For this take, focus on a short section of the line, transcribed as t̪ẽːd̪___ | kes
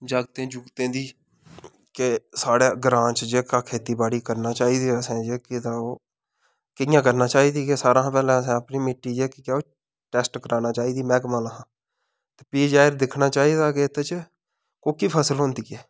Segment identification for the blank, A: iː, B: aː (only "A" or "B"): A